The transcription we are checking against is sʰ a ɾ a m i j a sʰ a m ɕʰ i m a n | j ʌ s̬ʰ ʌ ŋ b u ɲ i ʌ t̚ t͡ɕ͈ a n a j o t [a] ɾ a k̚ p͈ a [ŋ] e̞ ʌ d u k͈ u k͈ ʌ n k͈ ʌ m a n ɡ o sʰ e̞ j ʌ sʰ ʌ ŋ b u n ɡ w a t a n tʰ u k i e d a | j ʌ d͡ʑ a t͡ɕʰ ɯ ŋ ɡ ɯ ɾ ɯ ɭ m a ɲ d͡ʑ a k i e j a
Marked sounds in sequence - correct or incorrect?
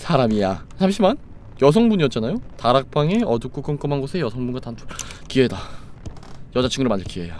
correct, correct

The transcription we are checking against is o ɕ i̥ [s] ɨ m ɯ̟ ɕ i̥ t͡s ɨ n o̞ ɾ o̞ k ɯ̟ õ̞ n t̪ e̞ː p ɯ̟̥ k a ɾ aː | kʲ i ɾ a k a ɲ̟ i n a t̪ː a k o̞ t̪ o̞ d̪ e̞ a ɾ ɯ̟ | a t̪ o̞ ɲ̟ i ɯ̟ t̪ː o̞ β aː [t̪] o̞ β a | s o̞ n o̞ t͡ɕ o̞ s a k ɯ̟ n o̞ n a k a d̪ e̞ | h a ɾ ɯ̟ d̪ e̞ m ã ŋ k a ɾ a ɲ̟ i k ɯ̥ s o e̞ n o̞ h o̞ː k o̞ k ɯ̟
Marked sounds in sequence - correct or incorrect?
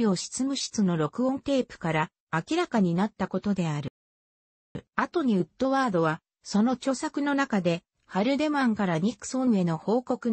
incorrect: t͡s, incorrect: d̪

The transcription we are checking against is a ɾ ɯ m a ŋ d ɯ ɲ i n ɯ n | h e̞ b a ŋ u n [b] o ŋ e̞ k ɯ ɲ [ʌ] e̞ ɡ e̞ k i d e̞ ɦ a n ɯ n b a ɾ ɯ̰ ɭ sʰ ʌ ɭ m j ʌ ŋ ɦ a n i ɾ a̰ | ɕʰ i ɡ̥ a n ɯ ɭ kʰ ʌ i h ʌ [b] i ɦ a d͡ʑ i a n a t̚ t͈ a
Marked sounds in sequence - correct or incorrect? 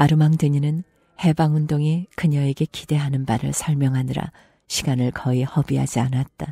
incorrect: d, correct, correct

